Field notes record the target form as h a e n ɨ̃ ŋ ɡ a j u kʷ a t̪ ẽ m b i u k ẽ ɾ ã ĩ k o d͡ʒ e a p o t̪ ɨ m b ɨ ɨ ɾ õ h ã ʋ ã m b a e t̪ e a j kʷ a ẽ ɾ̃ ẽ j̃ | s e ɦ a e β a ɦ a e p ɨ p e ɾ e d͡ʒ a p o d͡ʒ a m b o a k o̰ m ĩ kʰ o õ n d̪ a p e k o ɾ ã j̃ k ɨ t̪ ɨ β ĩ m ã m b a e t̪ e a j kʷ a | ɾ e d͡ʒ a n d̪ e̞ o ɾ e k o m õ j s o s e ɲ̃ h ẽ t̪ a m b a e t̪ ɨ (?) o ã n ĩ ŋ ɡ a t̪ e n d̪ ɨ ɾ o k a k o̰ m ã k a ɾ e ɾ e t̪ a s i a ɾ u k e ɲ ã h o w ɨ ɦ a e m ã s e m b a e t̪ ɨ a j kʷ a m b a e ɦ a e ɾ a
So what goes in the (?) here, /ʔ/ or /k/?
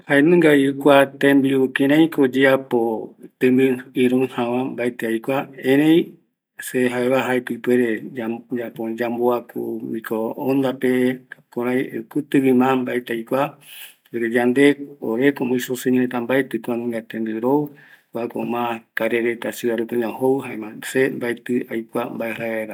k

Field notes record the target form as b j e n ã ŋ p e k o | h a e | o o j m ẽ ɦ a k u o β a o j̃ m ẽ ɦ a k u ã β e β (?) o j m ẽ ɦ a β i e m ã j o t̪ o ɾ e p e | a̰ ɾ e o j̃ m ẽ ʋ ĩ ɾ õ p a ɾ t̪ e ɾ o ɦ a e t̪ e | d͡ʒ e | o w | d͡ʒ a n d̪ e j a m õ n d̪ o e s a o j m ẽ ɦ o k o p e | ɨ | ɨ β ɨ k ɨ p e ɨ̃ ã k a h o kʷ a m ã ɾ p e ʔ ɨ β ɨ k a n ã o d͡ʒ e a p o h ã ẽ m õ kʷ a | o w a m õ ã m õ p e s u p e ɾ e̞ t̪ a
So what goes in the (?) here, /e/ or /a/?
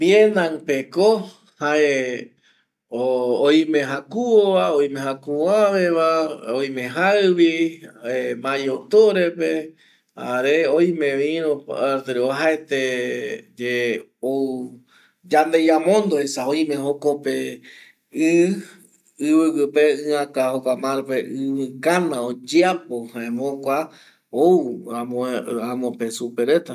a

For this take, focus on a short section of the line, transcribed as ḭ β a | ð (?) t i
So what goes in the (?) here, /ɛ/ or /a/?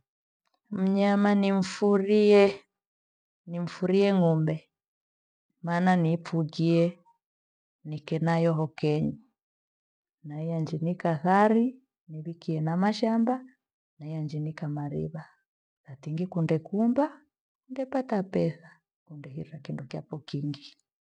a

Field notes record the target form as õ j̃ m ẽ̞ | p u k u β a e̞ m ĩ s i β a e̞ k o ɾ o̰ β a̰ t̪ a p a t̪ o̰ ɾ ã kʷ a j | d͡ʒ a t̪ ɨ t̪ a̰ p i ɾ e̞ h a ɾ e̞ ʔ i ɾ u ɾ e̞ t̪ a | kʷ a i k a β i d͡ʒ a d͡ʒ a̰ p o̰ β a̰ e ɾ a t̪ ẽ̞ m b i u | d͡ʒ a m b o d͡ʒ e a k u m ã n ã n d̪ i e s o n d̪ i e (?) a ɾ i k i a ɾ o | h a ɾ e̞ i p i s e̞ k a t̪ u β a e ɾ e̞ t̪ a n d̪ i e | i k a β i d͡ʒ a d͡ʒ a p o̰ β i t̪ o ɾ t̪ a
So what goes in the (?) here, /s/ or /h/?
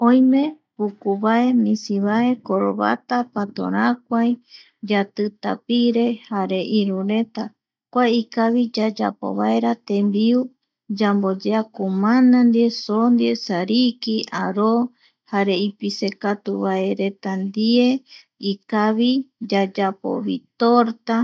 s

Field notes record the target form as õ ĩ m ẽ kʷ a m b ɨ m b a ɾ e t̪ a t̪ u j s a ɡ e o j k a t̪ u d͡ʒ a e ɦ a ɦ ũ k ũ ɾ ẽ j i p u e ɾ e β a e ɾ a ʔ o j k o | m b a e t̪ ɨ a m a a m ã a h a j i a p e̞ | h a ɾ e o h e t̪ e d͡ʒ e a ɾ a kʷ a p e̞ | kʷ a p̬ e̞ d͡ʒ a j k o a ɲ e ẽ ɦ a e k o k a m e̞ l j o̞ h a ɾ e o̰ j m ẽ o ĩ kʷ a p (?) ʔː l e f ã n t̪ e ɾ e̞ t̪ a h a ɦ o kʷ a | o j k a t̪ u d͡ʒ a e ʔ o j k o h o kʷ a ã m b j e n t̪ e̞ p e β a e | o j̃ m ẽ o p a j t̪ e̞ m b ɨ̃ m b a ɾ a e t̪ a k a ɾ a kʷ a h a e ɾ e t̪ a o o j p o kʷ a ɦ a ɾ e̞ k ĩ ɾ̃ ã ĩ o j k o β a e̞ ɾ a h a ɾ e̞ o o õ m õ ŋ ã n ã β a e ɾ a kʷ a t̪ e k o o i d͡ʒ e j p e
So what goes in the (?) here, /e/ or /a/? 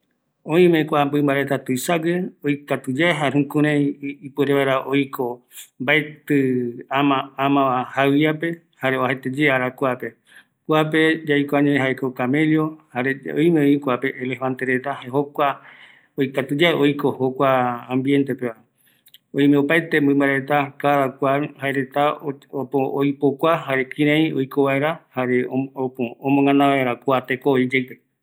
e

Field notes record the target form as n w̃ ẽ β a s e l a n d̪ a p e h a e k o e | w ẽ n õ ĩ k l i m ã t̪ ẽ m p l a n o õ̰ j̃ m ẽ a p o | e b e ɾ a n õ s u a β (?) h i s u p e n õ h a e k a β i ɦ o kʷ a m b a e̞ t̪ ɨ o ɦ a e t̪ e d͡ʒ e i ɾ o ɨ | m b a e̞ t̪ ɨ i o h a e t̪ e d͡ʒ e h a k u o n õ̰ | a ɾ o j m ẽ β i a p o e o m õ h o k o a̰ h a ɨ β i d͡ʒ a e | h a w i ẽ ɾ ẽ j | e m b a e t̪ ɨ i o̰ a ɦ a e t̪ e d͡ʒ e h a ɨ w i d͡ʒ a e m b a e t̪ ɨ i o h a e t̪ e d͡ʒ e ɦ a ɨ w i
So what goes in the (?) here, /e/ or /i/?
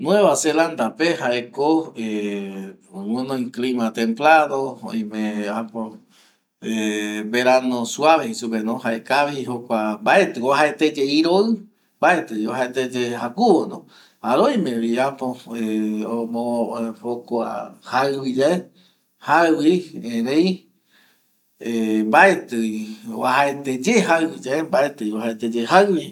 e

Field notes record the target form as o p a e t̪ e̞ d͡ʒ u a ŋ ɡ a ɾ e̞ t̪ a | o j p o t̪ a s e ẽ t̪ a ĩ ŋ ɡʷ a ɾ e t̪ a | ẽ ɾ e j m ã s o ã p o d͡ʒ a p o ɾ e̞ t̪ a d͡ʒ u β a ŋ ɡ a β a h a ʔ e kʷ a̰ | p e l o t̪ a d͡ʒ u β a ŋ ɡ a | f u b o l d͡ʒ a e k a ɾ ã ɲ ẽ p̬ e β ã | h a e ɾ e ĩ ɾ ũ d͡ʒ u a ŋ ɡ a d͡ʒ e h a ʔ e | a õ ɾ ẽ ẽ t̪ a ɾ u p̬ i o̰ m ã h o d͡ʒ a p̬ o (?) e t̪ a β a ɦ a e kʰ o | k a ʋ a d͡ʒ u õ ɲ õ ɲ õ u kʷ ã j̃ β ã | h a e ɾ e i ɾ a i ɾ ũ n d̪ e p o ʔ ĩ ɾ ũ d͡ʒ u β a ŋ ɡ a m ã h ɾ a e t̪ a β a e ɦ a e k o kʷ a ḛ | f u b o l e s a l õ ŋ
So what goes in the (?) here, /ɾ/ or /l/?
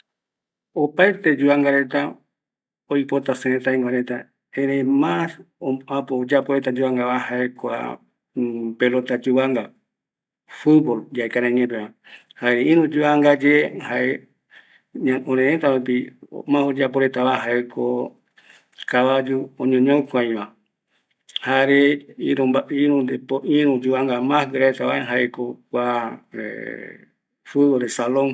ɾ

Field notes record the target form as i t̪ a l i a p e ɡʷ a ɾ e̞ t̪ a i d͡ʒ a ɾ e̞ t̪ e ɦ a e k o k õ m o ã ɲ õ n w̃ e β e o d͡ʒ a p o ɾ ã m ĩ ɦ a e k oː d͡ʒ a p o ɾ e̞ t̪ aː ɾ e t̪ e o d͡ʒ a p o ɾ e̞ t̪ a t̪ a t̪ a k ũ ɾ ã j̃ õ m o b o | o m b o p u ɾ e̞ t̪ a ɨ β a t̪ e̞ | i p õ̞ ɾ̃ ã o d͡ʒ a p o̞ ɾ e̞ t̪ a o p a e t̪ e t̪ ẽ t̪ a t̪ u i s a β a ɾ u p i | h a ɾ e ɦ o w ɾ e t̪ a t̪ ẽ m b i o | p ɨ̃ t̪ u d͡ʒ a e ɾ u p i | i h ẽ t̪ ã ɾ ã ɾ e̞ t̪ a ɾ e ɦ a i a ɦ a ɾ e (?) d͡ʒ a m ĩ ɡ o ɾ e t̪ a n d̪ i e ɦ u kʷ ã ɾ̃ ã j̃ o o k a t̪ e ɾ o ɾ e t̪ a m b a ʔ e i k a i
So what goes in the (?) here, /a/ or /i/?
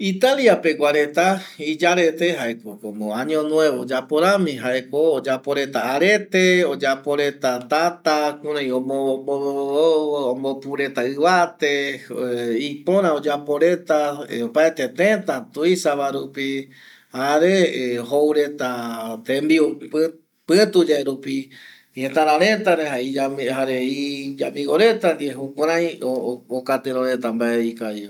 i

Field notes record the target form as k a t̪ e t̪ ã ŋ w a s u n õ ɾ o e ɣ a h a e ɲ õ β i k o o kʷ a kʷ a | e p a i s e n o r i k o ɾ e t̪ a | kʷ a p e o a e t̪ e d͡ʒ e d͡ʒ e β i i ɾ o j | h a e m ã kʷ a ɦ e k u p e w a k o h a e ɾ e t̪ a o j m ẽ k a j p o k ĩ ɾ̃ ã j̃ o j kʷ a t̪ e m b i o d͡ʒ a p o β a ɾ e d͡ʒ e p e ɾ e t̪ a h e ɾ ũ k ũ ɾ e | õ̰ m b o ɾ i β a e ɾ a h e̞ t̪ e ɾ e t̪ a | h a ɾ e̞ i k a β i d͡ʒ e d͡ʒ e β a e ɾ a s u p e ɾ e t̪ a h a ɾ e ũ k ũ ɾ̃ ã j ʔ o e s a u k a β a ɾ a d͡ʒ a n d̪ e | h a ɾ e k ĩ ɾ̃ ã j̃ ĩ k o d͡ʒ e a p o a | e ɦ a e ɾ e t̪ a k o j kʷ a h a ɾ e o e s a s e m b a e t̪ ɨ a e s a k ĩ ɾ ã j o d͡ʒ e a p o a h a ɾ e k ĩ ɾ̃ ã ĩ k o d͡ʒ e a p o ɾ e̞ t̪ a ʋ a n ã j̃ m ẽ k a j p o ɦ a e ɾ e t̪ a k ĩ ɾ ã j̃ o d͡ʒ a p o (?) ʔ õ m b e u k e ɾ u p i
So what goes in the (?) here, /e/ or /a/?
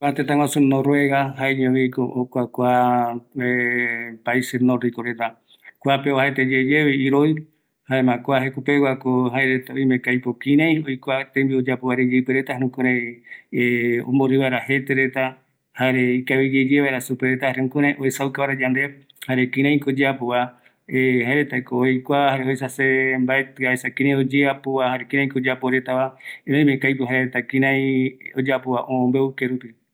a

